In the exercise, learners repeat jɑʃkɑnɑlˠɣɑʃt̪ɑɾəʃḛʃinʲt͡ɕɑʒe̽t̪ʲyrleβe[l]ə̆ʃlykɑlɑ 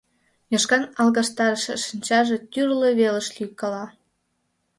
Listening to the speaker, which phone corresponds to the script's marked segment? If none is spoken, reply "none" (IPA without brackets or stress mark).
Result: l